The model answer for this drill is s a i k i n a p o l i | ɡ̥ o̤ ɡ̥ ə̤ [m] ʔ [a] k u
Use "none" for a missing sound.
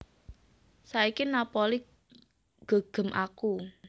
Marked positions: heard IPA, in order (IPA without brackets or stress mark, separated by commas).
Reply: m, a